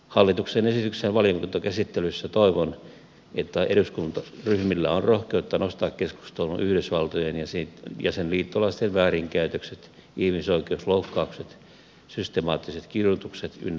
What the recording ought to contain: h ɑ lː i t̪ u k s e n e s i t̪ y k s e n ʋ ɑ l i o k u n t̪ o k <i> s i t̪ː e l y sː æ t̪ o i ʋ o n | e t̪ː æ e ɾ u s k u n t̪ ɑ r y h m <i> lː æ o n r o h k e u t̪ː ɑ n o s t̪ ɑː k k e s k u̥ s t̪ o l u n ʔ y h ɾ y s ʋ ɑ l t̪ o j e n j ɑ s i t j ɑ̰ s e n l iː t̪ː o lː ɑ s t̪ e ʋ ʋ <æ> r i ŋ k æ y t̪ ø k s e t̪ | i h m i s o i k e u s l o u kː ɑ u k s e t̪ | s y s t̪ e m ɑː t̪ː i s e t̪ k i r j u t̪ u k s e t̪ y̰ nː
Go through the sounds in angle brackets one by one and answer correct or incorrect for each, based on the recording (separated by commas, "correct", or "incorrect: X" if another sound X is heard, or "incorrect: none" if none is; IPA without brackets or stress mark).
incorrect: æ, correct, incorrect: æː